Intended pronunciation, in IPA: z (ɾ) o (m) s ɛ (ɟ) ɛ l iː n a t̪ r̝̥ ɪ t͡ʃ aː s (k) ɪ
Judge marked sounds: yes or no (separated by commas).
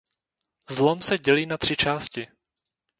no, yes, yes, no